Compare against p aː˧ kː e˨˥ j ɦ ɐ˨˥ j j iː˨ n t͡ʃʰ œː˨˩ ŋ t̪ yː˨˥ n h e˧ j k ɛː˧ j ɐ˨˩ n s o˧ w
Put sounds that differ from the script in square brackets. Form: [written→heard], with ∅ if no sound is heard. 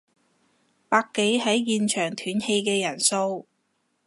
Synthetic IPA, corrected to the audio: p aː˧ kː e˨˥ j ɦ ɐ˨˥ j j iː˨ n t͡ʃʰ œː˨˩ ŋ [t̪→t̪ʰ] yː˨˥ n h e˧ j k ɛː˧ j ɐ˨˩ n s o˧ w